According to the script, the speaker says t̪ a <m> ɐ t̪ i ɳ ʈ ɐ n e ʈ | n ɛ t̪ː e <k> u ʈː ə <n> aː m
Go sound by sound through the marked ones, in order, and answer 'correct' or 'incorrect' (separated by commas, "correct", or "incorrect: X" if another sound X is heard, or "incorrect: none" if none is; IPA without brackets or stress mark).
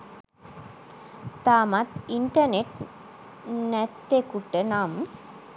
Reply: correct, correct, correct